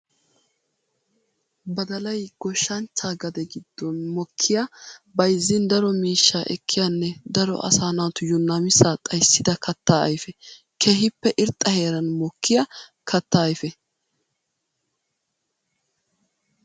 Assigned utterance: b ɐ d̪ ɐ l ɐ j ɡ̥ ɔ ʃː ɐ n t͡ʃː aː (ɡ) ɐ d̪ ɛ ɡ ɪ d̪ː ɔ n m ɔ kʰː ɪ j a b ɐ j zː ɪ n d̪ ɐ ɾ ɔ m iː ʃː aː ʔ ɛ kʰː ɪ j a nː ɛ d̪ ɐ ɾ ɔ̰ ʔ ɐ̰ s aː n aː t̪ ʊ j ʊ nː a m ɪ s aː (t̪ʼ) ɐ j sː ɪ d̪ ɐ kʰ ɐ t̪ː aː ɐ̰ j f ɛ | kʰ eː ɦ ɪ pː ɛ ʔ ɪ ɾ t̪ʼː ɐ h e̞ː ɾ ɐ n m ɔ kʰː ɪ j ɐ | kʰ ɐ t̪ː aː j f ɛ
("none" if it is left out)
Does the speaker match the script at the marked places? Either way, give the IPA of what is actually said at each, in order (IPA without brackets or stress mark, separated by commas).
ɡ, t̪ʼ